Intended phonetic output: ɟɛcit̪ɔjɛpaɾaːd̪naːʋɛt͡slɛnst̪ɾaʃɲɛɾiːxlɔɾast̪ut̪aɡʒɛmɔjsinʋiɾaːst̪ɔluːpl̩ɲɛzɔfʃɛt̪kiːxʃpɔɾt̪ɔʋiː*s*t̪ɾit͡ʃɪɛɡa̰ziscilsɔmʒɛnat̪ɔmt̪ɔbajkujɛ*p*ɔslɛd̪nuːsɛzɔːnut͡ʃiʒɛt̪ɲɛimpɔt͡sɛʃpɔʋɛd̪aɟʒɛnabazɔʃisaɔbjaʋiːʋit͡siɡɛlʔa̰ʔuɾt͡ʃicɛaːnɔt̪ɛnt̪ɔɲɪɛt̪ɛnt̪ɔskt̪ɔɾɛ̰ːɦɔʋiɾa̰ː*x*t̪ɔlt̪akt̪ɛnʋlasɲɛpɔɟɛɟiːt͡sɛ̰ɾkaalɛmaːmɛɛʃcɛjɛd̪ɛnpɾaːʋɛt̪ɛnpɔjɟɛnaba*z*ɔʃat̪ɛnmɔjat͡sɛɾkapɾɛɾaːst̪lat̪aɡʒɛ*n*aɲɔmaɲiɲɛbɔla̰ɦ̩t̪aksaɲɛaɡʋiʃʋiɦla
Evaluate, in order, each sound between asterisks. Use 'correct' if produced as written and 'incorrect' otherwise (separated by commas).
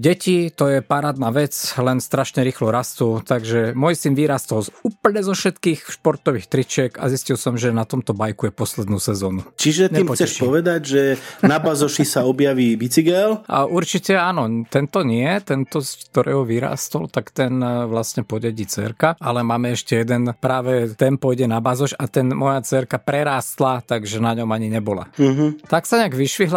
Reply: incorrect, correct, incorrect, correct, correct